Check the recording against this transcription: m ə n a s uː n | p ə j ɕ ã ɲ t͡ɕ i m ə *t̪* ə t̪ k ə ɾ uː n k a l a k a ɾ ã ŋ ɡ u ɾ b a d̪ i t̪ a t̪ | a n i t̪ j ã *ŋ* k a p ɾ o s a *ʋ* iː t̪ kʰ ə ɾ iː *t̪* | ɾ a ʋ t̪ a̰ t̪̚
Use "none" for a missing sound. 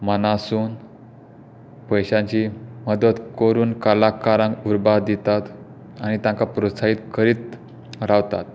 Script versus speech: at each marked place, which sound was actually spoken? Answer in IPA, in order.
d̪, ŋ, none, t̪

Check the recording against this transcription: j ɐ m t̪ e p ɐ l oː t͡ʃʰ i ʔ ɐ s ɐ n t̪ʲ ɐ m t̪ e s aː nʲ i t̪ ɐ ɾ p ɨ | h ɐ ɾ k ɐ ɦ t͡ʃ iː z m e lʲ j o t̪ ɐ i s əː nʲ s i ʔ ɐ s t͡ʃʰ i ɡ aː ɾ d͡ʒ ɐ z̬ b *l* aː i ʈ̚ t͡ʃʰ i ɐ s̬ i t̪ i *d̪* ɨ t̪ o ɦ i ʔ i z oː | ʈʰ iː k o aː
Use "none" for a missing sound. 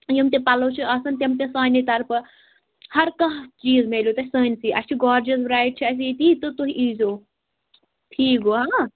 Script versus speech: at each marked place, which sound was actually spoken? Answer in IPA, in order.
ɾ, t̪

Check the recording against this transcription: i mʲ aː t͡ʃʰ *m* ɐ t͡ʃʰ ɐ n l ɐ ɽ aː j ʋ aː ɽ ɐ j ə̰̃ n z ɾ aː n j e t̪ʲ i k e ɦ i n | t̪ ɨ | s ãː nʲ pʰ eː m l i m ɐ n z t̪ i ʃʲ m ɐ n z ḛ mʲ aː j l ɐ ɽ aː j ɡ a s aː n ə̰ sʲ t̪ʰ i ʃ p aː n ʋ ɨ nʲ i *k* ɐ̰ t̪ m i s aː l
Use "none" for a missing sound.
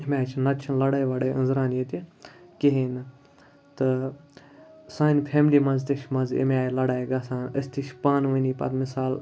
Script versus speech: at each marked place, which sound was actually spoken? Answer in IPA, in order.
n, p

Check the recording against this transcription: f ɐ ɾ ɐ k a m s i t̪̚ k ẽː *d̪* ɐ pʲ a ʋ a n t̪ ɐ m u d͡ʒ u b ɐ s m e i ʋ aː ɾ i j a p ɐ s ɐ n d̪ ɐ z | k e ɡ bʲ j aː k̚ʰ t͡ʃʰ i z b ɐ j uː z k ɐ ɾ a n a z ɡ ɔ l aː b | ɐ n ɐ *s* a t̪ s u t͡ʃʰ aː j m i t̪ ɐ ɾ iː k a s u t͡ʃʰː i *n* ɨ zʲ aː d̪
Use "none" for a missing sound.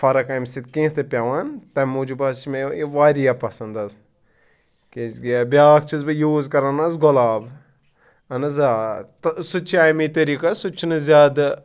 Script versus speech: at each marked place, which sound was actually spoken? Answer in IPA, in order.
t̪, z, n

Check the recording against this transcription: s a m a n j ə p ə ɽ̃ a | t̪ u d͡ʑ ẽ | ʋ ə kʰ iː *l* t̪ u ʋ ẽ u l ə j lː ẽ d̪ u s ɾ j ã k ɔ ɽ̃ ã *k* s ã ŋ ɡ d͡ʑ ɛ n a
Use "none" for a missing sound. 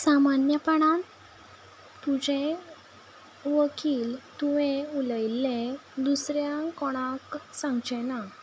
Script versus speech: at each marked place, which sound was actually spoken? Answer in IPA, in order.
l, k

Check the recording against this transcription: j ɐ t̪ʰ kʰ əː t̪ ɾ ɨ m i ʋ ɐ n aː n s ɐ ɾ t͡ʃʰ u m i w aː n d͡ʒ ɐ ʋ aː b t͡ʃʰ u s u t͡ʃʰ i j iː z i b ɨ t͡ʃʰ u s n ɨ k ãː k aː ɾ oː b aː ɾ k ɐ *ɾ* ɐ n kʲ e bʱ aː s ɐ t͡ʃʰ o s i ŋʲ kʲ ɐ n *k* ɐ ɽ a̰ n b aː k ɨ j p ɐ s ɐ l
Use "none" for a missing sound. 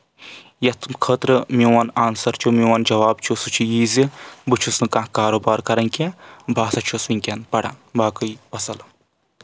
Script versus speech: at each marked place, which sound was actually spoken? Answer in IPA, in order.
ɾ, p

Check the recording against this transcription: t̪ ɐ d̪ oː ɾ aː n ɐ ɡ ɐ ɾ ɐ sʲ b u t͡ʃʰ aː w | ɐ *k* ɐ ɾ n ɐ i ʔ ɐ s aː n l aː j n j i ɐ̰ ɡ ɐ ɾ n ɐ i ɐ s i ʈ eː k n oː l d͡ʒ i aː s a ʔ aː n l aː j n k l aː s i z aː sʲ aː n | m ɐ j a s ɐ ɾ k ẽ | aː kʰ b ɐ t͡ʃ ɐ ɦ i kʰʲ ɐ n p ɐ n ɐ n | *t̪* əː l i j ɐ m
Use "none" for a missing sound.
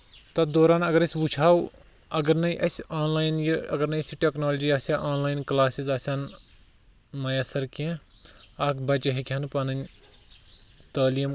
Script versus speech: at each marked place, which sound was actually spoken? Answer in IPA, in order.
ɡ, t̪

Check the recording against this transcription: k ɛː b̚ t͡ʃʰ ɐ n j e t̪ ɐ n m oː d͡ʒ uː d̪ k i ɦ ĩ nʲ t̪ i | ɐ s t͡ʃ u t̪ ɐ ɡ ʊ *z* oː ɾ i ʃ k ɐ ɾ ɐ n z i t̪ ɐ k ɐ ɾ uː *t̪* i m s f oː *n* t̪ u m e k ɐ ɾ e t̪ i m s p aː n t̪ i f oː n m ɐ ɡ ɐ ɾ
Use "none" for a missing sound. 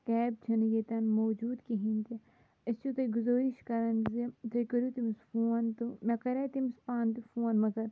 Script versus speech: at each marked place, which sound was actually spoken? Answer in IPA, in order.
z, t̪, n

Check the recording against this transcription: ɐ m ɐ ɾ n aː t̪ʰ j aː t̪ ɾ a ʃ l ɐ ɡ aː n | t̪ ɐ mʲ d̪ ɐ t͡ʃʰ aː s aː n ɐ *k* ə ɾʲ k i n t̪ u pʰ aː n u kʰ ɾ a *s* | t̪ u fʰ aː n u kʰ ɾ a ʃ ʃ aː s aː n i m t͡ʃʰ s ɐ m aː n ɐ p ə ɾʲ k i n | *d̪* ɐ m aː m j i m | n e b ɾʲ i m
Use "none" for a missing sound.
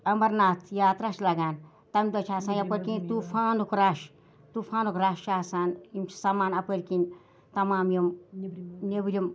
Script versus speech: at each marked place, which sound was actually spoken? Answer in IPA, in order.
p, ʃ, t̪

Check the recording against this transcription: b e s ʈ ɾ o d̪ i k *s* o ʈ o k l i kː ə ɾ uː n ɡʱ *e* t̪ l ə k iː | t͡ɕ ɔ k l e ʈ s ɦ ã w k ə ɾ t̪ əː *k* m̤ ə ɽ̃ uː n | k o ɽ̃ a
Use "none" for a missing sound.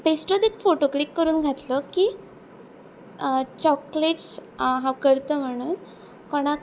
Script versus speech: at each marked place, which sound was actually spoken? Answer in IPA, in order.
f, a, none

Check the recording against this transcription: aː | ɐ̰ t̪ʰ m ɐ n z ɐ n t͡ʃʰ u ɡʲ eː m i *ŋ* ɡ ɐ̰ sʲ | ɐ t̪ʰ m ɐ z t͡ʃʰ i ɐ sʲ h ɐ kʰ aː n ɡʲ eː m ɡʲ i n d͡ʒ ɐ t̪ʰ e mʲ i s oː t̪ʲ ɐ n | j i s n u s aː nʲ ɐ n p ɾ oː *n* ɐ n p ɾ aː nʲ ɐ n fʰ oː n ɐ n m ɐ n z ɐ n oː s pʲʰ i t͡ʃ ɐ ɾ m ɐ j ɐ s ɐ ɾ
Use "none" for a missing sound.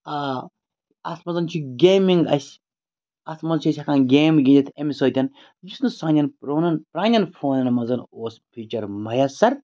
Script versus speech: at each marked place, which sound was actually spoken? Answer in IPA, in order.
ŋ, n

